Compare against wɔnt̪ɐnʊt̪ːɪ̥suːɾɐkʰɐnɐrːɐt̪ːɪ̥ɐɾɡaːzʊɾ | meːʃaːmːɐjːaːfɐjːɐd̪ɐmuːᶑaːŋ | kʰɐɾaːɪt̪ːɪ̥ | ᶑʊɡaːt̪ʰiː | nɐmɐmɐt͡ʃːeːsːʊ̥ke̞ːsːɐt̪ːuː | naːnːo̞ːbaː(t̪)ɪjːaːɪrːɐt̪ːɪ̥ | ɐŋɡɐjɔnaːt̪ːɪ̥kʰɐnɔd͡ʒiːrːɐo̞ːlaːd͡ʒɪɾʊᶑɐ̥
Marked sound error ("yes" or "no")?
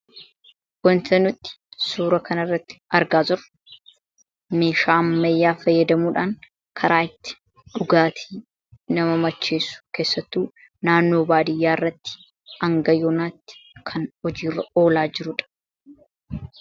yes